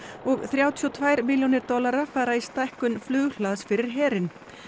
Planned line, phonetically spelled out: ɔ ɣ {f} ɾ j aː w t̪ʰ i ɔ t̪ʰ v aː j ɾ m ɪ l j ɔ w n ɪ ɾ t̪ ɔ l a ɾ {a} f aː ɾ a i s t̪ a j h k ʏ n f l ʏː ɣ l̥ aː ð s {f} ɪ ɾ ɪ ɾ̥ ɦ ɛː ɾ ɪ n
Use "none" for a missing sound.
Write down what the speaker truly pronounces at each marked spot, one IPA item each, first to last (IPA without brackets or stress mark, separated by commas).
θ, a, f